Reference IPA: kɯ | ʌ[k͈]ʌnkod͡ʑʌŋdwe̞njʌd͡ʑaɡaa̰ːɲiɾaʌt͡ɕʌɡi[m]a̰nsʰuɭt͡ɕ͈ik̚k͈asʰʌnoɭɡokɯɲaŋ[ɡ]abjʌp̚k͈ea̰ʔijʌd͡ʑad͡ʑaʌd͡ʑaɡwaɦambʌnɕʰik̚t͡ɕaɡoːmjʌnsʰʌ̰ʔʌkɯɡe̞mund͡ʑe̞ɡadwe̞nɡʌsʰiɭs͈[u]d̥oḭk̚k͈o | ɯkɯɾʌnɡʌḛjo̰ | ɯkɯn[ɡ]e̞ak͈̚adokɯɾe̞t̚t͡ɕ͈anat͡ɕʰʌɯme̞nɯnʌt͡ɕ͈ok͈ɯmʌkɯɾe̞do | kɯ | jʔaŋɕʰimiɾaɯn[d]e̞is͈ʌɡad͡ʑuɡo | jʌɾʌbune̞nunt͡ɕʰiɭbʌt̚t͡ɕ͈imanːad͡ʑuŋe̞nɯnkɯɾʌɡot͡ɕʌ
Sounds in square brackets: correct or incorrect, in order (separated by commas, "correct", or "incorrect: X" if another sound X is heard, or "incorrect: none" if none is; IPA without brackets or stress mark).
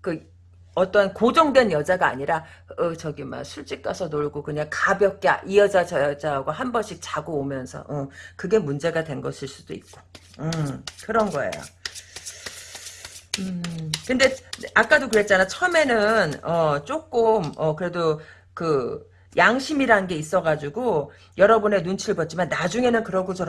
incorrect: t͈, correct, incorrect: k, correct, incorrect: d, incorrect: ɡ